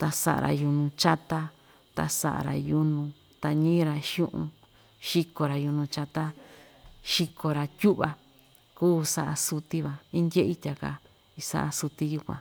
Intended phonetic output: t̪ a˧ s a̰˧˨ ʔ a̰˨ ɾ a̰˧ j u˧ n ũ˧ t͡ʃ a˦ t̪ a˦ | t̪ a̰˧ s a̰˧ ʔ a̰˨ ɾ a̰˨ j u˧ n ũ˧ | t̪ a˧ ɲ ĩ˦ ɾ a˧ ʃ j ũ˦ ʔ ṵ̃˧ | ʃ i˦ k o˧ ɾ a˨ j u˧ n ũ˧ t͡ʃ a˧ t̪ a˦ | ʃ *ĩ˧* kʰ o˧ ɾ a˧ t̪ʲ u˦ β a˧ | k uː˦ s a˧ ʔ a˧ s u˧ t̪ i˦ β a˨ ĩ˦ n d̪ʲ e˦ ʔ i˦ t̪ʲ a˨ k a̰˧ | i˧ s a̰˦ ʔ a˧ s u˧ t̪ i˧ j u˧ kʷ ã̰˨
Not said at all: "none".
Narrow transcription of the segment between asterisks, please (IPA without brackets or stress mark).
i˧